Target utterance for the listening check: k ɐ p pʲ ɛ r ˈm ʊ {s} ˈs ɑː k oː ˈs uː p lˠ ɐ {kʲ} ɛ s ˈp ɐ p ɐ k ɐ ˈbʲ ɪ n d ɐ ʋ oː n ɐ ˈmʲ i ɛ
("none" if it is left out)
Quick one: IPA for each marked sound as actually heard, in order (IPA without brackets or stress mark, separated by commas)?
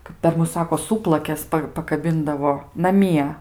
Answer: s, kʲ